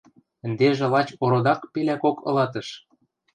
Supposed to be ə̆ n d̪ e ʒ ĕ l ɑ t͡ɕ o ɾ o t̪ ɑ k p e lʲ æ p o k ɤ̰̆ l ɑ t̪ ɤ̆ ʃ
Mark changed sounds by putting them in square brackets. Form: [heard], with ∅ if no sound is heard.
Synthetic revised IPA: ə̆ n d̪ e ʒ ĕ l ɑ t͡ɕ o ɾ o [d̪] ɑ k p e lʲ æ [k] o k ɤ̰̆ l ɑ t̪ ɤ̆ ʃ